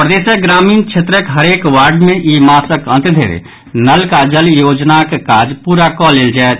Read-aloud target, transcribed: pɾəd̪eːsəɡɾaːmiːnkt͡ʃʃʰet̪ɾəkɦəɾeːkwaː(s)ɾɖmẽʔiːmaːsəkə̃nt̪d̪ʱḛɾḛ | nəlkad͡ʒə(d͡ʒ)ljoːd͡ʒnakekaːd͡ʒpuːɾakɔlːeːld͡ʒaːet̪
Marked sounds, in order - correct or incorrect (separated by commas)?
incorrect, incorrect